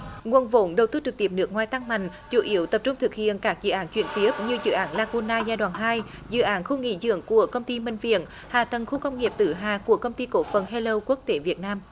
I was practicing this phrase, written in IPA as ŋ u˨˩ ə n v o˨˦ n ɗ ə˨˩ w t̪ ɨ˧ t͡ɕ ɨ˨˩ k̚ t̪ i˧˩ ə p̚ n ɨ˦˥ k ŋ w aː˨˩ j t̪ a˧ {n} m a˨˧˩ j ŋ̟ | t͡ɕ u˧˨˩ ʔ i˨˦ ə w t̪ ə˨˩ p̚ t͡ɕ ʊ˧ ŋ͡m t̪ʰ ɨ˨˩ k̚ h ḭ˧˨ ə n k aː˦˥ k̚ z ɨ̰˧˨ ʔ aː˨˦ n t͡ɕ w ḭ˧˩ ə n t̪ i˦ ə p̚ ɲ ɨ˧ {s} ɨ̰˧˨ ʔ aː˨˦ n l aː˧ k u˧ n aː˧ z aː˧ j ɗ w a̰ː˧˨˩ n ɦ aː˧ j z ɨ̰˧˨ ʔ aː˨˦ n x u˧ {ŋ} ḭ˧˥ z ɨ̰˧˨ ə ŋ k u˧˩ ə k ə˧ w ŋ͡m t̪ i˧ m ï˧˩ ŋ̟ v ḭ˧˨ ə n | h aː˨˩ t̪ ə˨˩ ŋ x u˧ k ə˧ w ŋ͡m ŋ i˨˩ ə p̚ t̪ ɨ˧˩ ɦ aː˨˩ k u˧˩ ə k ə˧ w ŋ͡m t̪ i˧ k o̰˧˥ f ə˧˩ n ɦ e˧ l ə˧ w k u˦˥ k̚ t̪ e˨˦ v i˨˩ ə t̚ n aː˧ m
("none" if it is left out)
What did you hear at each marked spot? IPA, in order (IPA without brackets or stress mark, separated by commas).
ŋ, z, ŋ